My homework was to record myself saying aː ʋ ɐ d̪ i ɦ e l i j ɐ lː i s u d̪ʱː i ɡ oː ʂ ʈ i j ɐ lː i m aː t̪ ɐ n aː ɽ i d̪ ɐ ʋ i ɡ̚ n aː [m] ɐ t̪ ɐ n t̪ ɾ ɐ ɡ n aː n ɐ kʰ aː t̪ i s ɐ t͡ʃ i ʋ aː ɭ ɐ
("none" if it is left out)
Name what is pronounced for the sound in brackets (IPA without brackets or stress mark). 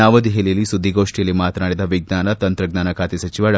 n